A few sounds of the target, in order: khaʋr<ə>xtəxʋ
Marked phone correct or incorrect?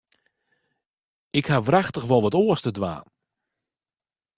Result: incorrect